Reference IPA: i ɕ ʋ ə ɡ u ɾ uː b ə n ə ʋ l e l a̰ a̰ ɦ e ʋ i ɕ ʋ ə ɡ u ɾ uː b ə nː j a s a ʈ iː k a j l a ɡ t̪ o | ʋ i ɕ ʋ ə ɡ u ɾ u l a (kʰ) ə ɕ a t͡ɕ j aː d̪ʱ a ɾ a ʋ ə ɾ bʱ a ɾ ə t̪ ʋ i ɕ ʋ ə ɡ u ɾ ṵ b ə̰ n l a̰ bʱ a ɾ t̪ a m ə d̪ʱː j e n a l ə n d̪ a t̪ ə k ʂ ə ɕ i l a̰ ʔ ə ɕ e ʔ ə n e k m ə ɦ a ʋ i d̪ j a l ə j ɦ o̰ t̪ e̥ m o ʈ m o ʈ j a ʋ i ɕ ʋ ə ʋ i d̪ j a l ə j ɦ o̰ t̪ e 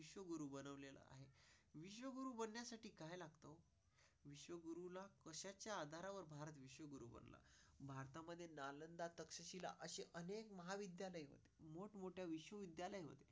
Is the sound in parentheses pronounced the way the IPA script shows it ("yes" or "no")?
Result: no